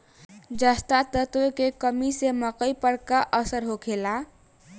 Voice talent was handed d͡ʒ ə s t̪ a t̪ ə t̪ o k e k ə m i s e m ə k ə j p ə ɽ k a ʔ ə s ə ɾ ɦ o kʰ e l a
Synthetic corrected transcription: d͡ʒ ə s t̪ a t̪ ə t̪ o k e k ə m i s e m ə k ə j p ə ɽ k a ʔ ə s ə ɾ ɦ o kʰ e l a